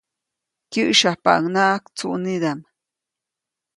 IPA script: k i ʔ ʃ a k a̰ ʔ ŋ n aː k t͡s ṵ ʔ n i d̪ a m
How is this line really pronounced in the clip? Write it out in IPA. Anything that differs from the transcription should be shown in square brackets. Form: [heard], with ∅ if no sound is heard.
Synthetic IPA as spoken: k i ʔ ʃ a [p] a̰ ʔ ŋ n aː k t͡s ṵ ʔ n i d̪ a m